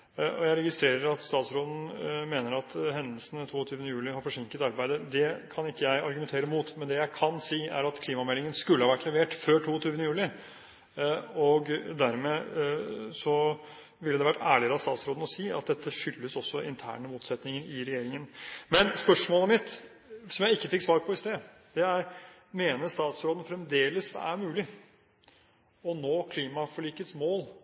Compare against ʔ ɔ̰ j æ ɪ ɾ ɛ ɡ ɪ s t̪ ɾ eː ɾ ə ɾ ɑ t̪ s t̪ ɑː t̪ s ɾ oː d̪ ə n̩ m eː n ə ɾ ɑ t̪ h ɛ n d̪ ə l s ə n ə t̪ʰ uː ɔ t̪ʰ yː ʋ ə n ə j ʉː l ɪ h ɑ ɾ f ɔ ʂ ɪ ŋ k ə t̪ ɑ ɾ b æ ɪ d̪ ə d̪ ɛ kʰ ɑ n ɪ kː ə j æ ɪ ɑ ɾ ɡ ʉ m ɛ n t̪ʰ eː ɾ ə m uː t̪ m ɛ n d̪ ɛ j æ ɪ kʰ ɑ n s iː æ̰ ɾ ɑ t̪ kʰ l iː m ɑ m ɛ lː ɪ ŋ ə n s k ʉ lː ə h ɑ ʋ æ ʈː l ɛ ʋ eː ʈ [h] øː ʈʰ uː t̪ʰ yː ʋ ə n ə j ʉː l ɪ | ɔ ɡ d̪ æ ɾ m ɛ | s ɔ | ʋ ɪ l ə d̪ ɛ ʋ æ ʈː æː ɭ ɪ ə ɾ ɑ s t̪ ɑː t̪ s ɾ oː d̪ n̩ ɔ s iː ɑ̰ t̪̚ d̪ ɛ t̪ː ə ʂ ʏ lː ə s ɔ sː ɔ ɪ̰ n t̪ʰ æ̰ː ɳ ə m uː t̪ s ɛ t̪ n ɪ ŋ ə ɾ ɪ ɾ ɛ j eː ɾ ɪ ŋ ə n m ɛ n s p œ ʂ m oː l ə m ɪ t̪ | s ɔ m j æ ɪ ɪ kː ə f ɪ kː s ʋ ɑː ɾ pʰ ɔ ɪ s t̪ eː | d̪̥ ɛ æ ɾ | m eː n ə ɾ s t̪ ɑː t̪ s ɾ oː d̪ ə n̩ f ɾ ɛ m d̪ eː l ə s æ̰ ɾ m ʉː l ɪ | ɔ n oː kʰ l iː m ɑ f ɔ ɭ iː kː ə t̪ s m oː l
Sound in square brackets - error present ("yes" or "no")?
yes